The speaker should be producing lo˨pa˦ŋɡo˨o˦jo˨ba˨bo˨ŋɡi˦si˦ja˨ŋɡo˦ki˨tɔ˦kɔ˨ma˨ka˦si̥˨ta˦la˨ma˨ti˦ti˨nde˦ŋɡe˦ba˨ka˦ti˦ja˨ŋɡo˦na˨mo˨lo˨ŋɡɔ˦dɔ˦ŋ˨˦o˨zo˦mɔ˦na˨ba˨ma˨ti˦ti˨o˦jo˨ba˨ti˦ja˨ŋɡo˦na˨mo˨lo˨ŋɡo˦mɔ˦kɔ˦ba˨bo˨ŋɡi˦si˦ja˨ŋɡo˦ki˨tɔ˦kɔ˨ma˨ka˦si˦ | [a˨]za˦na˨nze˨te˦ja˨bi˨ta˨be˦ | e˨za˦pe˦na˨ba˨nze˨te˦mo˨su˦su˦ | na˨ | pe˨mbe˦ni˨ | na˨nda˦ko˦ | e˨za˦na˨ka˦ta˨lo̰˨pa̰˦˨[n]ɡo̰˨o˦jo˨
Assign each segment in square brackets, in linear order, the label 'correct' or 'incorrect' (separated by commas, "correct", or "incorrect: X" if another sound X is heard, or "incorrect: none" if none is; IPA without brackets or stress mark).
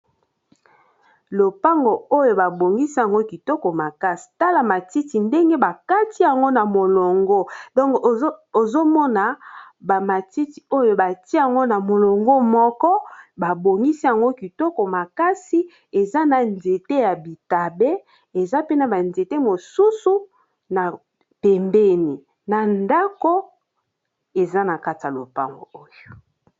incorrect: e˨, incorrect: ŋ